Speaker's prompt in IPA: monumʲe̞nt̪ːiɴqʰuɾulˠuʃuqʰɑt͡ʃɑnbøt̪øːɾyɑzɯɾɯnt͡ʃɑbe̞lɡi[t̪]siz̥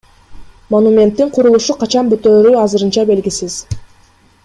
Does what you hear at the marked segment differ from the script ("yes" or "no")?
yes